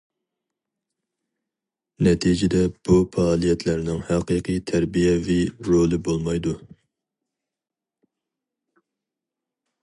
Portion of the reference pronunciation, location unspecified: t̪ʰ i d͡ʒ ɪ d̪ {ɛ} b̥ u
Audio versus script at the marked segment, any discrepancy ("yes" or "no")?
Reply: no